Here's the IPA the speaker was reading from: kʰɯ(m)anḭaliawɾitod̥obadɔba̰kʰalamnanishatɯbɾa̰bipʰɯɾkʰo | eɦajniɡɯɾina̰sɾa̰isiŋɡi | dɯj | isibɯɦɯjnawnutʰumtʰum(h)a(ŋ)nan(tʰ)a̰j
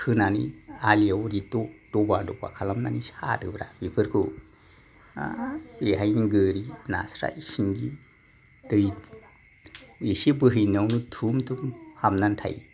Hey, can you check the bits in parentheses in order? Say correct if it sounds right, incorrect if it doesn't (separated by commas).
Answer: incorrect, correct, incorrect, correct